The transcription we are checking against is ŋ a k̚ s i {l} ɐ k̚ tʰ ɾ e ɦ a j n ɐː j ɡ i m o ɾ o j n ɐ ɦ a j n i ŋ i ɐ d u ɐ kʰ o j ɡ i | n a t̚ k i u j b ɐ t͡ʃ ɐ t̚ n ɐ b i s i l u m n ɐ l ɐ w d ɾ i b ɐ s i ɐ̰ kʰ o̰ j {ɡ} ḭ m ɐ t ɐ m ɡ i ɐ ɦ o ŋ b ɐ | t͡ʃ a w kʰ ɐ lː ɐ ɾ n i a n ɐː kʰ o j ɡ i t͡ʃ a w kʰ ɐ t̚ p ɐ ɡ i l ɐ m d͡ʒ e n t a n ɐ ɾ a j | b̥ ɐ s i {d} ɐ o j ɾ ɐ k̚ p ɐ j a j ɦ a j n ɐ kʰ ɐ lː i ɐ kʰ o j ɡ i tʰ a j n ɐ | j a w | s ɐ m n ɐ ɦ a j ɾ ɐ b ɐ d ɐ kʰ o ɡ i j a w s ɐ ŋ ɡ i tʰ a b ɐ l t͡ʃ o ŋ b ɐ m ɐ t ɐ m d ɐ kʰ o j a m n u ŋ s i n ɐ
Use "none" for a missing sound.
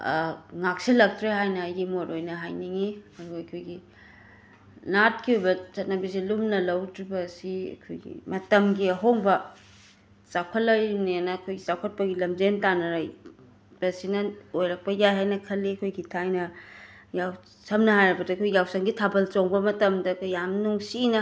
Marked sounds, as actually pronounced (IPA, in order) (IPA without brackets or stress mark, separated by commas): l, ɡ, n